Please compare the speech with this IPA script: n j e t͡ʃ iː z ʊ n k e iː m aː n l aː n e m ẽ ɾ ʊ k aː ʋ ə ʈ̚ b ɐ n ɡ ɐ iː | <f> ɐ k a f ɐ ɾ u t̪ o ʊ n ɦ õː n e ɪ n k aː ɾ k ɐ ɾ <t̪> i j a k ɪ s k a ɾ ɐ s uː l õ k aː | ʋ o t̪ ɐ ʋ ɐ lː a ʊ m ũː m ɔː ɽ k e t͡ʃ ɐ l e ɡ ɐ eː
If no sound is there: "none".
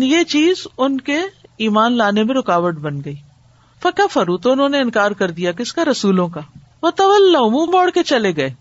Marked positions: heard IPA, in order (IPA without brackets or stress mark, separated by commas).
f, d̪